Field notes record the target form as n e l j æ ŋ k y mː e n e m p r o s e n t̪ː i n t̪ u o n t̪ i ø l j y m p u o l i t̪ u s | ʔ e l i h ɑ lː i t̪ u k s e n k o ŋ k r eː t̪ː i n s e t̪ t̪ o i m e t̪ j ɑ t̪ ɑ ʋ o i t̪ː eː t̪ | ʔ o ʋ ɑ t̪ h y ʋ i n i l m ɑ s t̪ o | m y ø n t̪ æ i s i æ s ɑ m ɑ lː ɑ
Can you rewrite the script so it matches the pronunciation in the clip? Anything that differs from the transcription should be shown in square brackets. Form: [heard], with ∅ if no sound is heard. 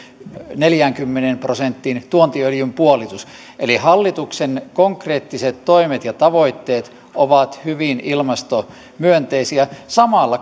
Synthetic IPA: n e l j æ ŋ k y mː e n e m p r o s e n t̪ː i n t̪ u o n t̪ i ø l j y m p u o l i t̪ u s | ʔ e l i h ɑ lː i t̪ u k s e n k o ŋ k r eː t̪ː i [∅] s e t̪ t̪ o i m e t̪ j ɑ t̪ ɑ ʋ o i t̪ː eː t̪ | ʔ o ʋ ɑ t̪ h y ʋ i n i l m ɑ s t̪ o | m y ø n t̪ [e] i s i æ s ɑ m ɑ lː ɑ